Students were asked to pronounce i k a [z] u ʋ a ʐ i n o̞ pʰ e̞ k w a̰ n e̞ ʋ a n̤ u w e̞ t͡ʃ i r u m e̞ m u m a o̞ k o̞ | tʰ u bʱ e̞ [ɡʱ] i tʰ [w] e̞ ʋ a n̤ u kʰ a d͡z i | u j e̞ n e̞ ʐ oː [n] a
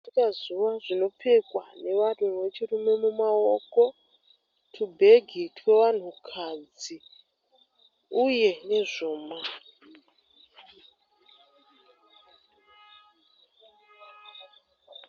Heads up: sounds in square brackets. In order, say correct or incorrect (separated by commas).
correct, correct, correct, incorrect